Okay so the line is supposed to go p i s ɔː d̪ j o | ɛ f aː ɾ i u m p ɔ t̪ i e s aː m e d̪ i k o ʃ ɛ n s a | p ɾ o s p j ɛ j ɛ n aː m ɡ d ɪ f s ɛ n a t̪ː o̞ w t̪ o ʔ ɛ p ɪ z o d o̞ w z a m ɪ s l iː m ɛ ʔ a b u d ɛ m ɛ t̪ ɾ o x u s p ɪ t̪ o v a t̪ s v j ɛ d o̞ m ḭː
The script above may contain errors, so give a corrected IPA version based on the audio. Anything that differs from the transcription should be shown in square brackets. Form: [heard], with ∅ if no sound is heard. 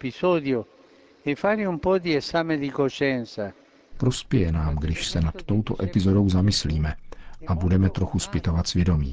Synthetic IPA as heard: p i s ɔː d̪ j o | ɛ f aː ɾ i u m p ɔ [d̪] i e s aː m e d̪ i k o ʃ ɛ n s a | p ɾ o s p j ɛ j ɛ n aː m ɡ d ɪ [ʃ] s ɛ n a t̪ː o̞ w t̪ o ʔ ɛ p ɪ z o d o̞ w z a m ɪ s l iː m ɛ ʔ a b u d ɛ m ɛ t̪ ɾ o x u s p ɪ t̪ o v a t̪ s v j ɛ d o̞ m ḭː